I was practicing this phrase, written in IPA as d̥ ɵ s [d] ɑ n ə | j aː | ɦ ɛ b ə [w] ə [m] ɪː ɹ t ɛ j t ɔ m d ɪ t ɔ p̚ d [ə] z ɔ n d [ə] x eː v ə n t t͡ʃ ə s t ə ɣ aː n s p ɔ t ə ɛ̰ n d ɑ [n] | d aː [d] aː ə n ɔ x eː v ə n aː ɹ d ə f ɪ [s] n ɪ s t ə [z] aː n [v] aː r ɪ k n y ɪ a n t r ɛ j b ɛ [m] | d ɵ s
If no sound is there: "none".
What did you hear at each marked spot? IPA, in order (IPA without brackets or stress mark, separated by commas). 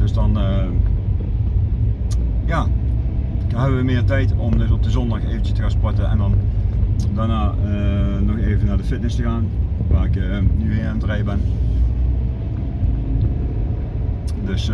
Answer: d, ʋ, m, ə, ɑ, n, n, t, ɣ, ʋ, n